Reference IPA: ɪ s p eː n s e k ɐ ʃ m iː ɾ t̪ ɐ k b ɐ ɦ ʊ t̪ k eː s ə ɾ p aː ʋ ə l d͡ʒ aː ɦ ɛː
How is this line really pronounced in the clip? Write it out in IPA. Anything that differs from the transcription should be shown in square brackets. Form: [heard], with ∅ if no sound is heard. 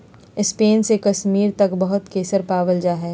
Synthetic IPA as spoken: ɪ s p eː n s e k ɐ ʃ m iː ɾ t̪ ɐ k b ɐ ɦ ʊ t̪ k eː s ə ɾ p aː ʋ ə l d͡ʒ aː ɦ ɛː